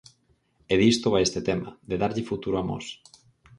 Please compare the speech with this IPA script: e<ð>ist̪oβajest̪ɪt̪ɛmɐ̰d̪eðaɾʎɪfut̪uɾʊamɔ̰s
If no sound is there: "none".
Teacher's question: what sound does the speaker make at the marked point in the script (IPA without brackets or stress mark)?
ð